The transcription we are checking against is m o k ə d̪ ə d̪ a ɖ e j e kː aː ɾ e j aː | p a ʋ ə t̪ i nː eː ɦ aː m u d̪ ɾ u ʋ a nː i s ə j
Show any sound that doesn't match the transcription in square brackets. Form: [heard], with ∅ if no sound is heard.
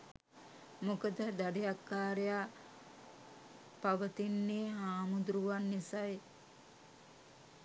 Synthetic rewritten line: m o k ə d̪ ə d̪ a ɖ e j [a] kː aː ɾ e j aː | p a ʋ ə t̪ i nː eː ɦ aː m u d̪ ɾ u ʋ a nː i s [a] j